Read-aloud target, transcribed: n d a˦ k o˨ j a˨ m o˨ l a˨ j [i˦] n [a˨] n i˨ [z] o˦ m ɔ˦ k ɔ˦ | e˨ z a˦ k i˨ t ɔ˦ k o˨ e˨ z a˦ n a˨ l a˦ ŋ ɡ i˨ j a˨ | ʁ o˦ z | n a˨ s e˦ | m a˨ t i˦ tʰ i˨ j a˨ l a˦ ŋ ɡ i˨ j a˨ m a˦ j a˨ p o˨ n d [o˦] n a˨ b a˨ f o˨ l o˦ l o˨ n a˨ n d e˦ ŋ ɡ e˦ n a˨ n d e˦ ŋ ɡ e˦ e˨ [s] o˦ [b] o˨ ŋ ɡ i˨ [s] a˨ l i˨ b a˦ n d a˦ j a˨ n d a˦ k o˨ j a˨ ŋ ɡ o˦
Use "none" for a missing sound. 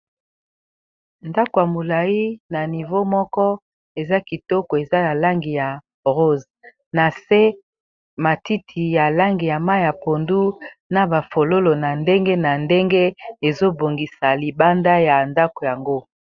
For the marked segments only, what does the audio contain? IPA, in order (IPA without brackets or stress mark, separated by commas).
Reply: i˦, a˨, v, u˦, z, b, s